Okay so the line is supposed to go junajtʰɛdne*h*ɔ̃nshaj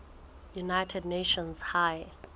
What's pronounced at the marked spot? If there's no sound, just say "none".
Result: ʃ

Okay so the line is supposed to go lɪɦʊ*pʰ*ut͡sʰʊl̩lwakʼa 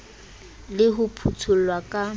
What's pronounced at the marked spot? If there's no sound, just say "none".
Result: pʰ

